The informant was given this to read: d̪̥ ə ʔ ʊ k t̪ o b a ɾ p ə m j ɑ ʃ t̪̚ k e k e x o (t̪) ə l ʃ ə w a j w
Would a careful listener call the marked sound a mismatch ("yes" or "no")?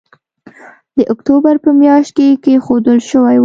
yes